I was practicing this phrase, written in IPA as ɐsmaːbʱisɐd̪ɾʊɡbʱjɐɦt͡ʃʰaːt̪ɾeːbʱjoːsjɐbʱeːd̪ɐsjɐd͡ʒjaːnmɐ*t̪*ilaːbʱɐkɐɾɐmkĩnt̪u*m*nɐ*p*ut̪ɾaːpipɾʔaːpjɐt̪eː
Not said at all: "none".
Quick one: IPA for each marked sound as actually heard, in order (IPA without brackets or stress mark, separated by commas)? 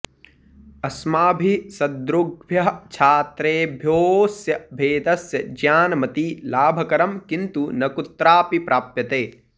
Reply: t̪, none, k